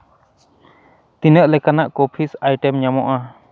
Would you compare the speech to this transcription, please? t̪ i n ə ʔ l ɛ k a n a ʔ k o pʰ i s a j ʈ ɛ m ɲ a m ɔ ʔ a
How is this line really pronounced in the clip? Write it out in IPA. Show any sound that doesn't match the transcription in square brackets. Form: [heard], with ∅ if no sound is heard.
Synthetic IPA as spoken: t̪ i n ə ʔ l ɛ k a n a ʔ k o pʰ i s a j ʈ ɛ m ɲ a m ɔ ʔ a

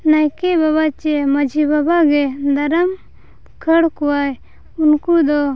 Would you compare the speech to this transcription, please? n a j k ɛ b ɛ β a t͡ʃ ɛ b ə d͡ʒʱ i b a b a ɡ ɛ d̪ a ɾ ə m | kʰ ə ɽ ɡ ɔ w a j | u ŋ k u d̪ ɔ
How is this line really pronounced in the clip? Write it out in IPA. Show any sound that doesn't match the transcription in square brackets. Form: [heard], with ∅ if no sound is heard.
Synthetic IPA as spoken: n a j k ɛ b [a] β a t͡ʃ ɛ [m] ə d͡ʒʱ i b a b a ɡ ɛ d̪ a ɾ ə m | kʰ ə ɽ [k] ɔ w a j | u [n] k u d̪ ɔ

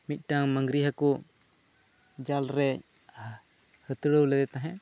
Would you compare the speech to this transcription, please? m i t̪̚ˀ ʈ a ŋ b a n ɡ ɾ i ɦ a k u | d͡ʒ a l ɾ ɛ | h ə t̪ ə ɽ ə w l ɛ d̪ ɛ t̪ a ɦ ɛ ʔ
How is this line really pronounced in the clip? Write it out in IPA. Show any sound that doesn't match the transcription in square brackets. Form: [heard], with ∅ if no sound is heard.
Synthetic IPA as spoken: m i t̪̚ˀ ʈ a ŋ [m] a [ŋ] ɡ ɾ i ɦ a k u | d͡ʒ a l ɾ ɛ | h ə t̪ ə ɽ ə w l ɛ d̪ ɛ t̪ a ɦ ɛ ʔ

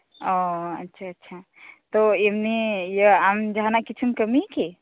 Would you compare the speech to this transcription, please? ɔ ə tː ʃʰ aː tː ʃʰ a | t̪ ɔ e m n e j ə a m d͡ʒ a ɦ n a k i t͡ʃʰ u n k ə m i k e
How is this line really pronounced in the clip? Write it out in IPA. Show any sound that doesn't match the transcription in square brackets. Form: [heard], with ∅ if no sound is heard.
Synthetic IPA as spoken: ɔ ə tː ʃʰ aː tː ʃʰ a | t̪ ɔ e m n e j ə a m d͡ʒ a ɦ n a k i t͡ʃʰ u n k ə m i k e

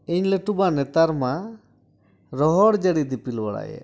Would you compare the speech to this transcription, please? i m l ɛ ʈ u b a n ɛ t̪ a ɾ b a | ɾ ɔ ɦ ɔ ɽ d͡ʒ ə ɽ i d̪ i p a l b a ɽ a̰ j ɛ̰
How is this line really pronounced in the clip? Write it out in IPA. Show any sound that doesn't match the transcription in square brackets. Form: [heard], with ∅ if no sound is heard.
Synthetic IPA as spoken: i [ɲ] l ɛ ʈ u b a n ɛ t̪ a ɾ [m] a | ɾ ɔ ɦ ɔ ɽ d͡ʒ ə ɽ i d̪ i p [i] l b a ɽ a̰ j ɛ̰

